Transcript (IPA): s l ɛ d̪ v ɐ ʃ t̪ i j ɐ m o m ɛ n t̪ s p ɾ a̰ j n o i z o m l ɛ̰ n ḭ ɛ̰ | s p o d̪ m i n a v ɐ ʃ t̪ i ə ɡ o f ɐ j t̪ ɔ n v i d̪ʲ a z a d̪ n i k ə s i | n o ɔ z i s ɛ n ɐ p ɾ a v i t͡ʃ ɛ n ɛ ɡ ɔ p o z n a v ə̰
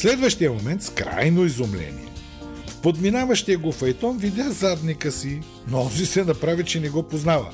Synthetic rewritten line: s l ɛ d̪ v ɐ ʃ t̪ i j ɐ m o m ɛ n t̪ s k ɾ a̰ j n o i z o m l ɛ̰ n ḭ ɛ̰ | f p o d̪ m i n a v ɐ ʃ t̪ i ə ɡ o f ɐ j t̪ ɔ n v i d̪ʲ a z a d̪ n i k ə s i | n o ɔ z i s ɛ n ɐ p ɾ a v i t͡ʃ ɛ n ɛ ɡ ɔ p o z n a v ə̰